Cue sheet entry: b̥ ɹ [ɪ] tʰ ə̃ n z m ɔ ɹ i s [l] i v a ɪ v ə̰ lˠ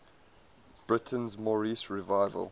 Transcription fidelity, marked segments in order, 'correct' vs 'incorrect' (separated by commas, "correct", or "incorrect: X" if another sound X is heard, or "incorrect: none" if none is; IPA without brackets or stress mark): correct, incorrect: ɹ